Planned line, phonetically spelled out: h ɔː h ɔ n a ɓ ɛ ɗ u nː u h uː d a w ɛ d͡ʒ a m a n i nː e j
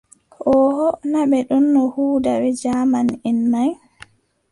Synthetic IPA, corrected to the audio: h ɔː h ɔ n a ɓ ɛ ɗ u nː ɔ h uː d a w ɛ d͡ʒ a m a n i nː a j